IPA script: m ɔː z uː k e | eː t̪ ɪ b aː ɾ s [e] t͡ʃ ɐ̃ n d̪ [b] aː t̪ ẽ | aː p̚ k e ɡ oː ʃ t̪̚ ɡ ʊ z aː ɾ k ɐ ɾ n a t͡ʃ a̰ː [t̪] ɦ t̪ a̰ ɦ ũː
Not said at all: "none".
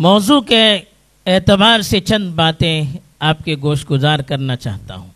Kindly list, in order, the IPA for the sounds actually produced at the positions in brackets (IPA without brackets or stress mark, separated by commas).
e, b, none